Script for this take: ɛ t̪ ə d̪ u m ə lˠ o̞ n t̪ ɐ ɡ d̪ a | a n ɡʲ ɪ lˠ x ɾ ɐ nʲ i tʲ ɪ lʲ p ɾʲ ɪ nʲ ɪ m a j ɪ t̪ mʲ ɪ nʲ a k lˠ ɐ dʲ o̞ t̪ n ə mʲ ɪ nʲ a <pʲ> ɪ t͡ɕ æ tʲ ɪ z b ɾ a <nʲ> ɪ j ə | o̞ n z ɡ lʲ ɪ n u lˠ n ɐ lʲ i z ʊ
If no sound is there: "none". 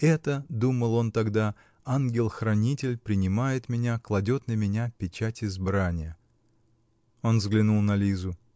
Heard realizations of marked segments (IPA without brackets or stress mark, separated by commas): pʲ, nʲ